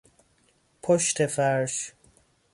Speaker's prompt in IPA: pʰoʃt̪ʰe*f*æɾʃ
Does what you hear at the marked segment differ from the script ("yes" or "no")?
no